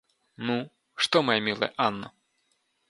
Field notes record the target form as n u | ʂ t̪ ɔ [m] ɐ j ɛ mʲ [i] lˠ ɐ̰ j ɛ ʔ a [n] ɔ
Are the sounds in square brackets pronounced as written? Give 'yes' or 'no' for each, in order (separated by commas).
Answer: yes, yes, no